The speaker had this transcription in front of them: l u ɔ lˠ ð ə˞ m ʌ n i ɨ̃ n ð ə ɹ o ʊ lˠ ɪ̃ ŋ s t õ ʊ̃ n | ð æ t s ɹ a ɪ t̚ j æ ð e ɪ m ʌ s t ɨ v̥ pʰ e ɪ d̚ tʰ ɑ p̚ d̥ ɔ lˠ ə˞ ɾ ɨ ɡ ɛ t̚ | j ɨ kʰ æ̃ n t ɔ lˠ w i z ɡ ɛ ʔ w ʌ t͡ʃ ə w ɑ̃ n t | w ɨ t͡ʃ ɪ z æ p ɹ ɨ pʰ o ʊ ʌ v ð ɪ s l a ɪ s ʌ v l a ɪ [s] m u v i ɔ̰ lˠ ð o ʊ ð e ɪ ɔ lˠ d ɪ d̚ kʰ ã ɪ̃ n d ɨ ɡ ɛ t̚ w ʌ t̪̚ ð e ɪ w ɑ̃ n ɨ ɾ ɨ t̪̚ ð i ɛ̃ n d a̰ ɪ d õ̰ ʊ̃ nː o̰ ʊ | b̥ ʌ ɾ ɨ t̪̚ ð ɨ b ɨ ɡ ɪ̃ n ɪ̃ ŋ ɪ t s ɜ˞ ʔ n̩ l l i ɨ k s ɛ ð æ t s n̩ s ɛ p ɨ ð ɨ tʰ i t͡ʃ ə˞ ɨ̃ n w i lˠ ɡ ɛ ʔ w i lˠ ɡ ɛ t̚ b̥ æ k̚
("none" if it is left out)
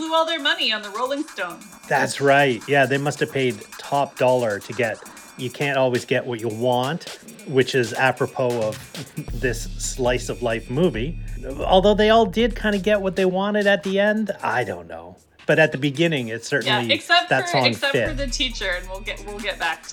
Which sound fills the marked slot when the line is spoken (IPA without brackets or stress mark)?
f